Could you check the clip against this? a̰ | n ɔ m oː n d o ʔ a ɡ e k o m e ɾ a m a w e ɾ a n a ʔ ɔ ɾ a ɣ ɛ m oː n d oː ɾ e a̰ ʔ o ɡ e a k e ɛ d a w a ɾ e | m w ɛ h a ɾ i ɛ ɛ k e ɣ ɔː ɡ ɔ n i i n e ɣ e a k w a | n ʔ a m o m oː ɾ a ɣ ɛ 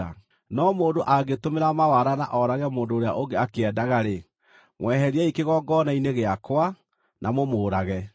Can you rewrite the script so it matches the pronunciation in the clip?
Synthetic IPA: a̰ | n ɔ m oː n d o ʔ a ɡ e t o m e ɾ a m a w a ɾ a n a ʔ ɔ ɾ a ɣ ɛ m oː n d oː ɾ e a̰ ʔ o ɡ e a k e ɛ d a ɣ a ɾ e | m w ɛ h ɛ ɾ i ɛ i k e ɣ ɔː ɡ ɔ n a i n e ɣ e a k w a | n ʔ a m o m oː ɾ a ɣ ɛ